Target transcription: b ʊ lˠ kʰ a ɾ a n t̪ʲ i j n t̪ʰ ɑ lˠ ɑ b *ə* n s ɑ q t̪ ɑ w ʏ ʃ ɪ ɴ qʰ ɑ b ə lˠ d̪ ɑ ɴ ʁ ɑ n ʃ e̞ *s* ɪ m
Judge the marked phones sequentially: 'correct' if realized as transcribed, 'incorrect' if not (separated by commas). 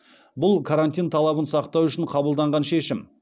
correct, incorrect